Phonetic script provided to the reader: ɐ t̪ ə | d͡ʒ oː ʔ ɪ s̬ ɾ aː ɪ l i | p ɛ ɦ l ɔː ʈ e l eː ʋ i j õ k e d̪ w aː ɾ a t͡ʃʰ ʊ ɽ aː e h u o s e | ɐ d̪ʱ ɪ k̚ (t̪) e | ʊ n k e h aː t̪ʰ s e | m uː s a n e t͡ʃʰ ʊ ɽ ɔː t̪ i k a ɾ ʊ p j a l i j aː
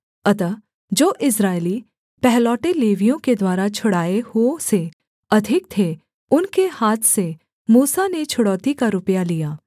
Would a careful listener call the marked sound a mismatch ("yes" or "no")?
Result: yes